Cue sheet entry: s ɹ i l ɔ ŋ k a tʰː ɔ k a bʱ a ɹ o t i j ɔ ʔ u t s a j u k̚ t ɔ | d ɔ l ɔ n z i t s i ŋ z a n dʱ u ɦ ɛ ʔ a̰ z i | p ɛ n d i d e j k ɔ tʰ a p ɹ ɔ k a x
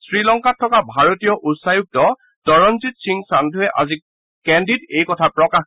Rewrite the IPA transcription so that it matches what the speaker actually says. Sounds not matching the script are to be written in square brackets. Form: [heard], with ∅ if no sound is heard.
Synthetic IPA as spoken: s ɹ i l ɔ ŋ k a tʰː ɔ k a bʱ a ɹ o t i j ɔ ʔ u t s a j u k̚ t ɔ | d ɔ [ɹ] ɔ n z i t s i ŋ [s] a n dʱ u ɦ ɛ ʔ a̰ z i | [k] ɛ n d i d e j k ɔ tʰ a p ɹ ɔ k a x